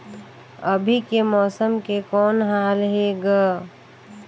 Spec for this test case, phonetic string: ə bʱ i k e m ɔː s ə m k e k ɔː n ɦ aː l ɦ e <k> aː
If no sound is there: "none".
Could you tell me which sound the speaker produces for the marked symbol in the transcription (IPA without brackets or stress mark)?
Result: ɡ